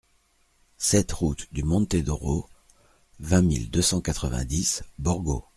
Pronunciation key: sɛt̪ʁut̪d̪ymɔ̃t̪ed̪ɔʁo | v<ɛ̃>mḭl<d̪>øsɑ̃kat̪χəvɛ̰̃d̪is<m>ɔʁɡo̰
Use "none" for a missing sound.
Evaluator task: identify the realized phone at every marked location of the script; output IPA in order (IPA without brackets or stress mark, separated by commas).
ɛ̃, d̪, b